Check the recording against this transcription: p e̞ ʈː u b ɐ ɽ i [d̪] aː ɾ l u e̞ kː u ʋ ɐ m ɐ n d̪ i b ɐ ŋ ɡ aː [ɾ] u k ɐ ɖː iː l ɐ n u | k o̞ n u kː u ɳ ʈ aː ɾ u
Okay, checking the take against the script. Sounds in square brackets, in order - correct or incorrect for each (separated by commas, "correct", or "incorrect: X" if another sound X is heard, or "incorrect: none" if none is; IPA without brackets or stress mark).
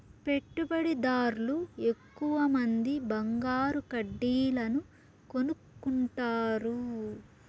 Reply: correct, correct